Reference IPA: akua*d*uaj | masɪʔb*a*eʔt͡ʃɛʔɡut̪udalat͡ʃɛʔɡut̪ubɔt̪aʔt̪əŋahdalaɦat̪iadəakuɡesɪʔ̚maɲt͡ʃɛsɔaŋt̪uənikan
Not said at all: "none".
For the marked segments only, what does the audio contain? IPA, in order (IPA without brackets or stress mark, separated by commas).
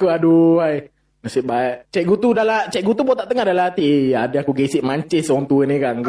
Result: d, a